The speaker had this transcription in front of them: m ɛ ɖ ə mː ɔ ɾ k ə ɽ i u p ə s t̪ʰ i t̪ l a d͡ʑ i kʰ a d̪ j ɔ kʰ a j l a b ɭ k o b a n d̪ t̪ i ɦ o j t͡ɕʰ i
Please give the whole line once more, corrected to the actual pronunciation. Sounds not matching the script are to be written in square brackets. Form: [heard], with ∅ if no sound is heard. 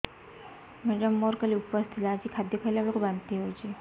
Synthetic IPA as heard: m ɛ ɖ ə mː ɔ ɾ k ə [l] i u p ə s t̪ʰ i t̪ l a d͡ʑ i kʰ a d̪ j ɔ kʰ a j l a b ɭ k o b a n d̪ t̪ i ɦ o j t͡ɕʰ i